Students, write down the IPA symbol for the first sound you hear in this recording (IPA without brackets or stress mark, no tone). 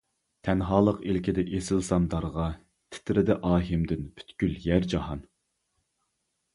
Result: t̪ʰ